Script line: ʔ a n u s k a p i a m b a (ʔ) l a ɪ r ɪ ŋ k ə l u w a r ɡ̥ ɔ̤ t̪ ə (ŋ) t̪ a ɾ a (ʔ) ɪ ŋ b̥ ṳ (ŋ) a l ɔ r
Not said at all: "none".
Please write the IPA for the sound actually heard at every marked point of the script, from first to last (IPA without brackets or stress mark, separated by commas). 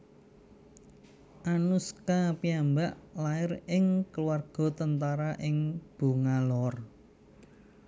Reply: ʔ, n, ʔ, ŋ